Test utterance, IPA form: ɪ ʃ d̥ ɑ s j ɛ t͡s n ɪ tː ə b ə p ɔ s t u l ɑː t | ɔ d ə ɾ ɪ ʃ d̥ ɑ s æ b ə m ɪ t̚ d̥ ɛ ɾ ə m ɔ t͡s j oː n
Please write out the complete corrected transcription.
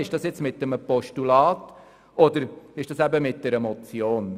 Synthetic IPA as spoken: ɪ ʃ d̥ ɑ s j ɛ t͡s m ɪ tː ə m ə p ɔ ʃ t u l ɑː t | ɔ d ə ɾ ɪ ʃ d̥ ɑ s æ b ə m ɪ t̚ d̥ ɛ ɾ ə m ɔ t͡s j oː n